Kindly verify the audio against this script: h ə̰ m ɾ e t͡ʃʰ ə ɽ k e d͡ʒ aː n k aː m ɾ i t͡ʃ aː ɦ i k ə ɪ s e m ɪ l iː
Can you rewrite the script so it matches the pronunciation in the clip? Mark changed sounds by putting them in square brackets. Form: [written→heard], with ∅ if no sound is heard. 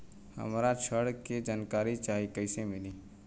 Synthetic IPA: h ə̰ m ɾ [e→a] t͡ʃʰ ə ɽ k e d͡ʒ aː n k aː [m→∅] ɾ i t͡ʃ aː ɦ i k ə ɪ s e m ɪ l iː